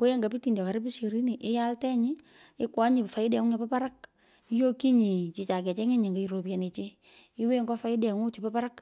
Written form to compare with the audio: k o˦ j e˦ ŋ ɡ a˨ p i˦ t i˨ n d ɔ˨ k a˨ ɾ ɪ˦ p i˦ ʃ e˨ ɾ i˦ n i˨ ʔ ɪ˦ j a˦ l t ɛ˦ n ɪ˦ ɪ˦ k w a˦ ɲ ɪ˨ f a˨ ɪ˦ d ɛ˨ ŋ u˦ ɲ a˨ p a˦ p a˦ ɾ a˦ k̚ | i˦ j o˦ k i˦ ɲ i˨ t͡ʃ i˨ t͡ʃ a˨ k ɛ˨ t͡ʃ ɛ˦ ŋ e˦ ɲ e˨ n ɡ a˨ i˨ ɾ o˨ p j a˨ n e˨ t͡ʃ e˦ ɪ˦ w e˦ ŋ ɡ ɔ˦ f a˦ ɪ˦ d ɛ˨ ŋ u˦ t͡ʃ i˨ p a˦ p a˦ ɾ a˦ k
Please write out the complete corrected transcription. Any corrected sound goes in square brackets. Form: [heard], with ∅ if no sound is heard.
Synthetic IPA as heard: k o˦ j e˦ ŋ ɡ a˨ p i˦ t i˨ n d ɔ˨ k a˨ ɾ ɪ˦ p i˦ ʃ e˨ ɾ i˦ n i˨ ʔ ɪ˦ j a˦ l t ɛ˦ [ɲ] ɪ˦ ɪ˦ k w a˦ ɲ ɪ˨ f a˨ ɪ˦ d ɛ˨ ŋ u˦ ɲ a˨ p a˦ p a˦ ɾ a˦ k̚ | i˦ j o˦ k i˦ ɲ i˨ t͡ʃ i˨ t͡ʃ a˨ k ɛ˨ t͡ʃ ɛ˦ ŋ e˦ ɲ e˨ [ŋ] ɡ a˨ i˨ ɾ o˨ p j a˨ n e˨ t͡ʃ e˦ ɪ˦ w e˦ ŋ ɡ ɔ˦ f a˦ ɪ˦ d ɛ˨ ŋ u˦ t͡ʃ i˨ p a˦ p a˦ ɾ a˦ k